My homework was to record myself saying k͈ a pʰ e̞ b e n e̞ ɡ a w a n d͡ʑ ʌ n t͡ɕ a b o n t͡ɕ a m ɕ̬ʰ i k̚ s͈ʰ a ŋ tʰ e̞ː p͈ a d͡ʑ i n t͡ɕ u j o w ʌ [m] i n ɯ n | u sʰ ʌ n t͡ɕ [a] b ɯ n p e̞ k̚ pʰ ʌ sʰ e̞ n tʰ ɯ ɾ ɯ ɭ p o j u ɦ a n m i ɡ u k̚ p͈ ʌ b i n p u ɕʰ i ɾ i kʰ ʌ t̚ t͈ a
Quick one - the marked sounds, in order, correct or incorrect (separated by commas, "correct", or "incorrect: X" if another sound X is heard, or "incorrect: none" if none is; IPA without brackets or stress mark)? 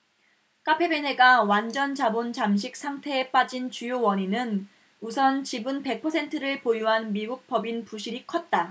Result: incorrect: ɲ, incorrect: i